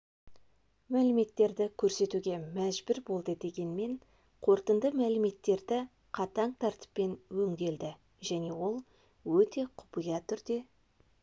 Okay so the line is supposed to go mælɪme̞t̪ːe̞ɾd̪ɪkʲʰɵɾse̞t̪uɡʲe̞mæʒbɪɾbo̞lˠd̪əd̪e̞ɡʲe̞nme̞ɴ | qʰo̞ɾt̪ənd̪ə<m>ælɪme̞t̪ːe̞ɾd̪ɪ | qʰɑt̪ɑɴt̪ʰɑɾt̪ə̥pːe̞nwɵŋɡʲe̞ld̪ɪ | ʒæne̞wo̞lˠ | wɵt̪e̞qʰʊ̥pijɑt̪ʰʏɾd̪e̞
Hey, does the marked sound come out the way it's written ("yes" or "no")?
yes